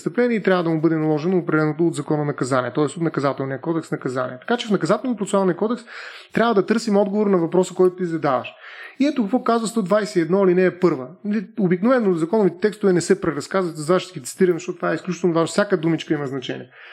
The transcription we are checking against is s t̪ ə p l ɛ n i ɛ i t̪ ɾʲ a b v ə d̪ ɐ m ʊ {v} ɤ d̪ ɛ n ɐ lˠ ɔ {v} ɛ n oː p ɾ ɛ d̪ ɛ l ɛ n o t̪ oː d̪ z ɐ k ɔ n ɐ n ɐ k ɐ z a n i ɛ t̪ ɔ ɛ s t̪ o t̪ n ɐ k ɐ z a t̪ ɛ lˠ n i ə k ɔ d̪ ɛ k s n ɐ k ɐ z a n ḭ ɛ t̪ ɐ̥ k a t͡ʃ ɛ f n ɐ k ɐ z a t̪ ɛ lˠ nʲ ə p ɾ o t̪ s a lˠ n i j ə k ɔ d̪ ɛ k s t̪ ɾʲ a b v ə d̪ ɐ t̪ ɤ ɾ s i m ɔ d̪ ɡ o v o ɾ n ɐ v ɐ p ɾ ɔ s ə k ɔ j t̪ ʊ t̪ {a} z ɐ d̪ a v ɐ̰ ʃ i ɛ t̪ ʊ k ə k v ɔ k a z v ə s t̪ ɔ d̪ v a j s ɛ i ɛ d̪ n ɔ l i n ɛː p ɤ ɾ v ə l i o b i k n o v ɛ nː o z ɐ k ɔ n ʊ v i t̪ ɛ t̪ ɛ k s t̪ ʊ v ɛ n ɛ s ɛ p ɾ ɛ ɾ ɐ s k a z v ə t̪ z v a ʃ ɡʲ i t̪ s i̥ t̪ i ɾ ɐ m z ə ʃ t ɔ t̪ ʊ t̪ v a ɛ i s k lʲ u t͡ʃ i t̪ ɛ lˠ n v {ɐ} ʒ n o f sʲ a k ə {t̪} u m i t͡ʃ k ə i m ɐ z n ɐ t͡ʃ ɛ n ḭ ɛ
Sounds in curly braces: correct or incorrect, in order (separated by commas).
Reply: incorrect, incorrect, incorrect, incorrect, incorrect